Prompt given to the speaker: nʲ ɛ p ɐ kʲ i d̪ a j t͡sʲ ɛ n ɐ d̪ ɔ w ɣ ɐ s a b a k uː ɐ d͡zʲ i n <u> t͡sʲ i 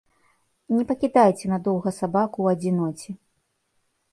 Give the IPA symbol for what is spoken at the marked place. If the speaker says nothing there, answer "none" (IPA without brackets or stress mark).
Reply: ɔ